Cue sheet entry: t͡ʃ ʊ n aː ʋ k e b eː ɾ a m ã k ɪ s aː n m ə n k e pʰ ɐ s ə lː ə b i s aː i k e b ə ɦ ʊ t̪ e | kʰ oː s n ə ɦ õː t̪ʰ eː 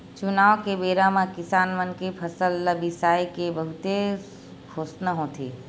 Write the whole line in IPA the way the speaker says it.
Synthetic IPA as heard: t͡ʃ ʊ n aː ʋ k e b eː ɾ a m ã k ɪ s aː n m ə n k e pʰ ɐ s ə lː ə b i s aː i k e b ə ɦ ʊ t̪ e | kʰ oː s n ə ɦ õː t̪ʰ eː